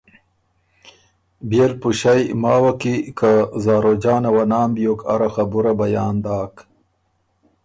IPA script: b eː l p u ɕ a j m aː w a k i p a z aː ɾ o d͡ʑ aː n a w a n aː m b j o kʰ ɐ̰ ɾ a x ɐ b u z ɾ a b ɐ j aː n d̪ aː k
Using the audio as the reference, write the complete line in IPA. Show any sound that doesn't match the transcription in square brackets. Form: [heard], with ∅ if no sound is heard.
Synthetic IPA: b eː l p u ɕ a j m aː w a k i [k] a z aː ɾ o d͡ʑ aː n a w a n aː m b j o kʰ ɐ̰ ɾ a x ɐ b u [∅] ɾ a b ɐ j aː n d̪ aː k